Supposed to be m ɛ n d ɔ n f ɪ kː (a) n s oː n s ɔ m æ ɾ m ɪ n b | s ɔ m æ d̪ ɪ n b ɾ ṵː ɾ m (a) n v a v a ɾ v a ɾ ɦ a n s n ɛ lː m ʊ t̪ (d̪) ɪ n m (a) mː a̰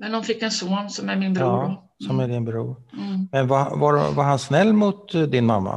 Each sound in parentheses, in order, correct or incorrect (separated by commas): incorrect, incorrect, correct, correct